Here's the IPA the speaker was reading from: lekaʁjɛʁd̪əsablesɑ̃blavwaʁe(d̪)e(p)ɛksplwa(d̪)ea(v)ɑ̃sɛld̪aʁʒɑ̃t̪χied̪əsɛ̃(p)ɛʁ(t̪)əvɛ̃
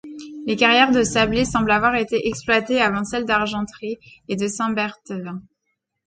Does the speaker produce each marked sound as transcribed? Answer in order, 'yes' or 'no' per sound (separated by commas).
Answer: no, no, no, yes, no, yes